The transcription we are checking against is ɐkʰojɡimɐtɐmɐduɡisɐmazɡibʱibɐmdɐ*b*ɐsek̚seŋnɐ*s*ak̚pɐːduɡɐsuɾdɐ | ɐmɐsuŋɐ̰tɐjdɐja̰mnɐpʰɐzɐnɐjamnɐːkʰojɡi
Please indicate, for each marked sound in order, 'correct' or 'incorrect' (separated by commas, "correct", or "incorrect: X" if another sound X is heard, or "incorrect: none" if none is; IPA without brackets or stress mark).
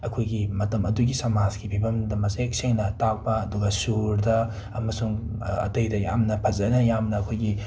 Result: incorrect: m, incorrect: t